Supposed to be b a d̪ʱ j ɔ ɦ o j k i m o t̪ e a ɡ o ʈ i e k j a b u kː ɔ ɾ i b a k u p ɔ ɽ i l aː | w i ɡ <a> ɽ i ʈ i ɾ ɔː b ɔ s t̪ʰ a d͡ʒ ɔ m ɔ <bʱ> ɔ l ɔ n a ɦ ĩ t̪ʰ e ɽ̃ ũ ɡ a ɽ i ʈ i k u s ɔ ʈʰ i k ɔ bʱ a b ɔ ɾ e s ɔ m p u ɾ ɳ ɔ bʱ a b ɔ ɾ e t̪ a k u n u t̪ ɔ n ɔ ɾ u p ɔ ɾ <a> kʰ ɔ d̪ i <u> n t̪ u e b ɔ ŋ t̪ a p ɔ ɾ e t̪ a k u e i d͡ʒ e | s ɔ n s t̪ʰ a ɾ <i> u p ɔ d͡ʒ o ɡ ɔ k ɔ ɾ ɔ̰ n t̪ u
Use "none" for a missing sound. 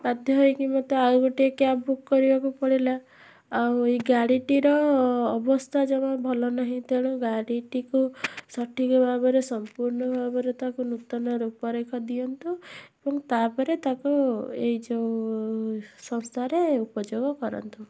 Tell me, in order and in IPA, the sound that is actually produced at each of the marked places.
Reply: a, bʱ, e, ɔ, e

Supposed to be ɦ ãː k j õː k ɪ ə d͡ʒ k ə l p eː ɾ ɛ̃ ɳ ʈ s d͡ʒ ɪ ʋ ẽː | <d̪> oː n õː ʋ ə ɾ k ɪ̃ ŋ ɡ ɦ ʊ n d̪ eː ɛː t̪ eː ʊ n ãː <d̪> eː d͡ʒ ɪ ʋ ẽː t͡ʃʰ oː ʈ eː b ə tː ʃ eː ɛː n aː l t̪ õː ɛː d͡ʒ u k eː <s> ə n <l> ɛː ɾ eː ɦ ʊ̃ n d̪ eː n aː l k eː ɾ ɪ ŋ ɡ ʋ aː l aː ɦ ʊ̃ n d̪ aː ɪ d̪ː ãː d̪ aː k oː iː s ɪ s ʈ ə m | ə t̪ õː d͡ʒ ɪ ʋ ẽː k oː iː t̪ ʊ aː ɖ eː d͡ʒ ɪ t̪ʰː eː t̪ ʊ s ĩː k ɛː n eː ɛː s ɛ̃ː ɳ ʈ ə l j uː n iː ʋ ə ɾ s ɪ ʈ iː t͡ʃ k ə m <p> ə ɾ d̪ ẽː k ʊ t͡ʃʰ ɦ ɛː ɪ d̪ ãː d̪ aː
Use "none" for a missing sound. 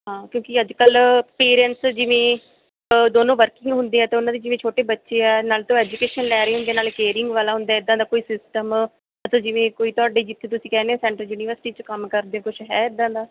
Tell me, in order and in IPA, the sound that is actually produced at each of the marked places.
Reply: d̪, d̪, ʃ, l, k

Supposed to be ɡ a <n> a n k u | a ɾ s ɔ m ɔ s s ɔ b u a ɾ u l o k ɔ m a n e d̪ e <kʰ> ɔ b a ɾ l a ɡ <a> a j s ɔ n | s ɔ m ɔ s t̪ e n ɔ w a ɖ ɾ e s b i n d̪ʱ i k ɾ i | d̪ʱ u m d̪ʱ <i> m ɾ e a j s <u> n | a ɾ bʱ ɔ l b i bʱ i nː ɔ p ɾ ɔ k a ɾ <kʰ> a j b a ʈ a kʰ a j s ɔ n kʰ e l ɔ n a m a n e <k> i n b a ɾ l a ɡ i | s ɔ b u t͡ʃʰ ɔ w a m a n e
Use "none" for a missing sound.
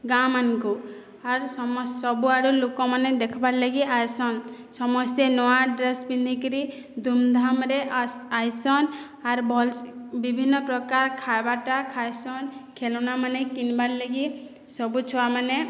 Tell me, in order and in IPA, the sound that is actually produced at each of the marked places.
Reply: m, kʰ, i, a, ɔ, kʰ, k

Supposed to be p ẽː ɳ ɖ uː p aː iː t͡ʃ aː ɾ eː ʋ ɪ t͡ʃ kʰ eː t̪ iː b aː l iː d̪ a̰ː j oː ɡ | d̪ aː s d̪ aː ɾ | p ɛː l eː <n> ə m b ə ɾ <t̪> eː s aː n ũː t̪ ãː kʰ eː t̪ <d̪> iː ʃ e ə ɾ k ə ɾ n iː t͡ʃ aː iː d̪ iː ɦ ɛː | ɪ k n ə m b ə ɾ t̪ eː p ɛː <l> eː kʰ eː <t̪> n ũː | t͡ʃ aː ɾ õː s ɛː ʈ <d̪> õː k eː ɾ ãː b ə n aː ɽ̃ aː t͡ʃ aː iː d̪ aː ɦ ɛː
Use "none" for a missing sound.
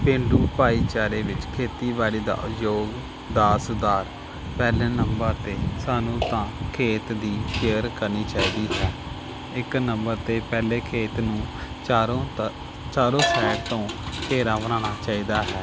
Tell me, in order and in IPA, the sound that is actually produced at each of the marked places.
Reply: n, t̪, d̪, l, t̪, t̪

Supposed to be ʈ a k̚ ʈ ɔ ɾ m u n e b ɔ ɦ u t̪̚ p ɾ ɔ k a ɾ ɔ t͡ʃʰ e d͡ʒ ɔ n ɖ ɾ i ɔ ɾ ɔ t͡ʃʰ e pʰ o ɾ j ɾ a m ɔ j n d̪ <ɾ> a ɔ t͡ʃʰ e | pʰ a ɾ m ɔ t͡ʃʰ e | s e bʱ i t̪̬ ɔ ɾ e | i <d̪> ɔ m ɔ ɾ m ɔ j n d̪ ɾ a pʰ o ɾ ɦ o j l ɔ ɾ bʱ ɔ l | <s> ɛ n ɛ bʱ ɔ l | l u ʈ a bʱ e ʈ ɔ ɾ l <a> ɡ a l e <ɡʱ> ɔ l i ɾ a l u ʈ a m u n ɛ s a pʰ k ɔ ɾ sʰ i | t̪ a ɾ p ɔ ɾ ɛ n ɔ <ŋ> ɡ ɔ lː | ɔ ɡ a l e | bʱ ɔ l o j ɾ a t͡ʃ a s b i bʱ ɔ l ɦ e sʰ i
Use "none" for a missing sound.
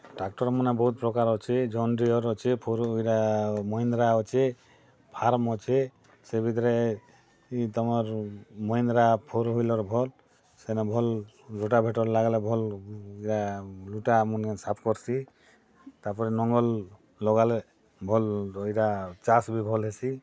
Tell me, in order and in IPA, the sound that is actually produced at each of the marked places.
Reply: ɾ, t̪, s, a, bʱ, ŋ

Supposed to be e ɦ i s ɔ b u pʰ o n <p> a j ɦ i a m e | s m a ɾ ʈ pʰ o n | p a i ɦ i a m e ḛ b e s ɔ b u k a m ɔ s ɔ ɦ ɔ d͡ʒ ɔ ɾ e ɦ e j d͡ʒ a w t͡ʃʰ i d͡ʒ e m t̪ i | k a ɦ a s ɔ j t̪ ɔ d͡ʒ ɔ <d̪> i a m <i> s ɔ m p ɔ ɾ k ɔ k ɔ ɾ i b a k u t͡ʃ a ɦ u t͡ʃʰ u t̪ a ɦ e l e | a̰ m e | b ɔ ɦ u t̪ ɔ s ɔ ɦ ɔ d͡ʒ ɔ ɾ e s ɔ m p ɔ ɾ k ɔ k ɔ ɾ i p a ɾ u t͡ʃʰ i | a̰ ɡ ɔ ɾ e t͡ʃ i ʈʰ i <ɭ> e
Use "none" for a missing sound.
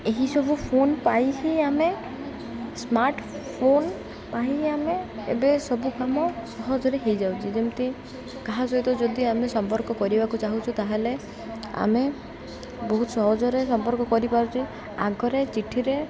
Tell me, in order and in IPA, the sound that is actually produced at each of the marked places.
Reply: p, d̪, e, ɾ

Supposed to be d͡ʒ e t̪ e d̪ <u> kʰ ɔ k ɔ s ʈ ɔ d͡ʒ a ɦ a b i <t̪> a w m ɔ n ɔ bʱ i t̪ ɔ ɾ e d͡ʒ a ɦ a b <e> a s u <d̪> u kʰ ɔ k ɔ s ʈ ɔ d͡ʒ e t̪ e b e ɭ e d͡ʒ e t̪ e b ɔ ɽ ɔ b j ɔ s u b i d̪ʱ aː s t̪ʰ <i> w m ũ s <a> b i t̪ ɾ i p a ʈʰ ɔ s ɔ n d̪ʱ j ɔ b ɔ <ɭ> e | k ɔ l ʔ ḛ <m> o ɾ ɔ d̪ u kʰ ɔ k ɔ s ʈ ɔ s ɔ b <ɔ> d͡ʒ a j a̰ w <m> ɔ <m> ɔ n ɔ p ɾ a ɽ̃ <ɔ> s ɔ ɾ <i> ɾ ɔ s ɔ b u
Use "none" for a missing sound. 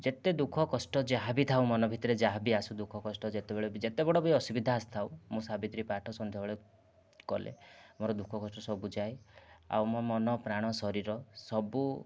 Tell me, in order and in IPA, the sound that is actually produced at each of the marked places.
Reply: u, t̪ʰ, i, d̪, a, a, ɭ, m, u, m, m, ɔ, i

